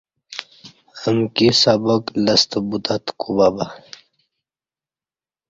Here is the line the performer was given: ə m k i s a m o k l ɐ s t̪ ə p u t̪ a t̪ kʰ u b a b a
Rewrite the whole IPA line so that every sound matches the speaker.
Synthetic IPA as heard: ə m k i s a b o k l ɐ s t̪ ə b u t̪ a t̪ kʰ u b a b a